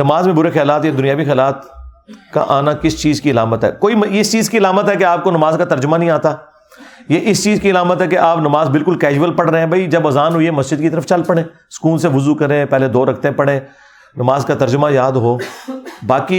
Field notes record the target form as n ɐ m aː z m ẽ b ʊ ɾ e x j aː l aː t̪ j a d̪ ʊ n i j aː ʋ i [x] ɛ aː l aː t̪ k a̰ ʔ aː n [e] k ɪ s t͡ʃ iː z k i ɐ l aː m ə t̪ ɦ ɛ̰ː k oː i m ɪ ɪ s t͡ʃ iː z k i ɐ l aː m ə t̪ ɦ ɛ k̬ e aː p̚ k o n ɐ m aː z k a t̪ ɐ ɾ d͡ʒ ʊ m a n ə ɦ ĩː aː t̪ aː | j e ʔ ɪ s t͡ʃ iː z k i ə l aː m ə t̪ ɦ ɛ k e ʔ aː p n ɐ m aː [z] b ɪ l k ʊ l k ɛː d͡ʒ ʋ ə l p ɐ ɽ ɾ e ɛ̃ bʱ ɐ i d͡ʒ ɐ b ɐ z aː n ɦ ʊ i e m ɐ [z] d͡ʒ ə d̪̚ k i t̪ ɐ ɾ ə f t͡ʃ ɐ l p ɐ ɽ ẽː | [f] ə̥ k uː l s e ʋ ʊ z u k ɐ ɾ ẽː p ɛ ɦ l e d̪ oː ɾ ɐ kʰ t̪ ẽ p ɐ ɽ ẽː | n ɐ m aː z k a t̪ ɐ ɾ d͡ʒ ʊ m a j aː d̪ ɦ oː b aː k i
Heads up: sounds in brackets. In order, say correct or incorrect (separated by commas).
correct, incorrect, correct, incorrect, incorrect